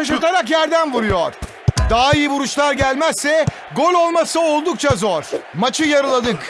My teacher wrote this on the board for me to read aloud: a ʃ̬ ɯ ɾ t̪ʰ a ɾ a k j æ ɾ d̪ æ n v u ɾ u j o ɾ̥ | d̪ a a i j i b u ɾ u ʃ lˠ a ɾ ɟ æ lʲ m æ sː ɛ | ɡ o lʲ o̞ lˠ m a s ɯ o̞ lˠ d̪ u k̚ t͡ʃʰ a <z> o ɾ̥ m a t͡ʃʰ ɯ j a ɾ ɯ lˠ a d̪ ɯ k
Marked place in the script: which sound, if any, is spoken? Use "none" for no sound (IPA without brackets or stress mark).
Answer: z